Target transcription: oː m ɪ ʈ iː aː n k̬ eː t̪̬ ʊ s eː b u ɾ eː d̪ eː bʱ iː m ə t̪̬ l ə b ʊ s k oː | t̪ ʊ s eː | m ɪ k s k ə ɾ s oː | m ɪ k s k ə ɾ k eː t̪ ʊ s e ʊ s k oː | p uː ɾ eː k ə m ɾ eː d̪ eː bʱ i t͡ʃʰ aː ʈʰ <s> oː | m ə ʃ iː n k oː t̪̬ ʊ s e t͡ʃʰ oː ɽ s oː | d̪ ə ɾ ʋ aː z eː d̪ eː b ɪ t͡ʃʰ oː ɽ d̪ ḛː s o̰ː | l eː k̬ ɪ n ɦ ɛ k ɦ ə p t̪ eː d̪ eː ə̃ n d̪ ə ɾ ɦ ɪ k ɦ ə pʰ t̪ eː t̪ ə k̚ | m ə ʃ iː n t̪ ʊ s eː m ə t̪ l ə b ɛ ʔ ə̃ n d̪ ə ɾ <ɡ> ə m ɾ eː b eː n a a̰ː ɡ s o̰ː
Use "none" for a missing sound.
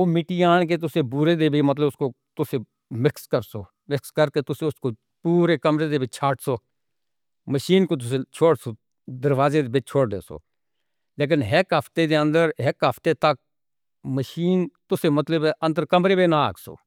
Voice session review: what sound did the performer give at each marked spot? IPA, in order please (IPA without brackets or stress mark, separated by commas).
s, k